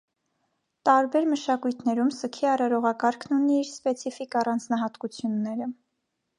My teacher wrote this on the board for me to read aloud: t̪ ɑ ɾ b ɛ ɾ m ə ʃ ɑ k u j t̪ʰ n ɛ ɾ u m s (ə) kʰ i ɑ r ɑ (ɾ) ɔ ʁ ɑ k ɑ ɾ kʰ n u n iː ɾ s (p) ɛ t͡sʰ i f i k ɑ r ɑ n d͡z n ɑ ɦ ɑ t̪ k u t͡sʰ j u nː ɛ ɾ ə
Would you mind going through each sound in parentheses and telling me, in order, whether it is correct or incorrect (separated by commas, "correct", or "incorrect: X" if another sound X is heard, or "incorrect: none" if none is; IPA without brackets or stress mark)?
correct, correct, correct